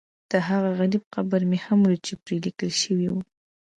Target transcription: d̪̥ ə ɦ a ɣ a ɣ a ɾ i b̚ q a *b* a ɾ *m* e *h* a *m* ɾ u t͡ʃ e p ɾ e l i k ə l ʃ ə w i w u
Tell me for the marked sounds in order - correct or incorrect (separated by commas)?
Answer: correct, correct, correct, correct